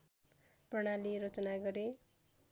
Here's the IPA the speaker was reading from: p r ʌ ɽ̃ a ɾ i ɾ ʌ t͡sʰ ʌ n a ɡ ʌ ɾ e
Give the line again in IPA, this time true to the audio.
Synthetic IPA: p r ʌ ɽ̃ a l i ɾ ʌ t͡s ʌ n a ɡ ʌ ɾ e